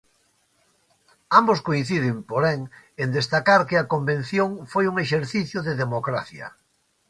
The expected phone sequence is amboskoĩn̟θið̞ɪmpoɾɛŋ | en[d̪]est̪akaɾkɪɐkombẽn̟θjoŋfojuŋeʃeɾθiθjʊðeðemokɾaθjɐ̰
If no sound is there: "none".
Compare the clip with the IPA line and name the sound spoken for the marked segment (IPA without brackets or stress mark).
d̪